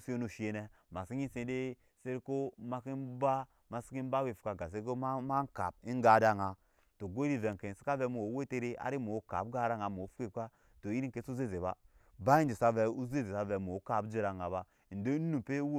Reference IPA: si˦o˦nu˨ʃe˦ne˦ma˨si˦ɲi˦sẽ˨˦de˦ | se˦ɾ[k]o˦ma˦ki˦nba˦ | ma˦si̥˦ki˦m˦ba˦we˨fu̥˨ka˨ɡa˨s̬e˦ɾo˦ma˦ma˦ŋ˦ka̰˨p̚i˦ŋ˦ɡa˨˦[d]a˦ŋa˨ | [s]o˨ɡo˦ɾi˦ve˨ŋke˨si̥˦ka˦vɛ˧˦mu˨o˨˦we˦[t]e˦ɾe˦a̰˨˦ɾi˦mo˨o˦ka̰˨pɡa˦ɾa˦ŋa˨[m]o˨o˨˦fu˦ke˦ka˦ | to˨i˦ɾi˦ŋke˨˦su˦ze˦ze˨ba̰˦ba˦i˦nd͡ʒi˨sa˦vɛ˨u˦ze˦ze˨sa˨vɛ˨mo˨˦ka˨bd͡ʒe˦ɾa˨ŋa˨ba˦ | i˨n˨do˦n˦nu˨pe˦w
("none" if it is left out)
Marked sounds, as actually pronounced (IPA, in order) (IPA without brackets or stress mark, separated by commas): k, d, t, t, m